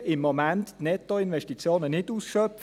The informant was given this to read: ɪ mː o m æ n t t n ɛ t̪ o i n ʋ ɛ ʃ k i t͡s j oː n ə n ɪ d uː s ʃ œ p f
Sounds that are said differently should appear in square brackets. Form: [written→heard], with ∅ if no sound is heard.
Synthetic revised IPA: ɪ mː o m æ n t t n ɛ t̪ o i n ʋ ɛ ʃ [k→t] i t͡s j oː n ə n ɪ d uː s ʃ œ p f